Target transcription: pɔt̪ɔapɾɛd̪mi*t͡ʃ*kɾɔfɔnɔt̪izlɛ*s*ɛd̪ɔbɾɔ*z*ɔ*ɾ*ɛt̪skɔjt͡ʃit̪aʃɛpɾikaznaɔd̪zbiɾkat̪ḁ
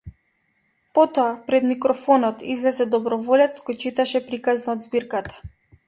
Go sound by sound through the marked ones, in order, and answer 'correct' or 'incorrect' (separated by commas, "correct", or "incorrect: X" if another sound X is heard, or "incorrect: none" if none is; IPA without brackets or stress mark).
incorrect: none, incorrect: z, incorrect: v, incorrect: l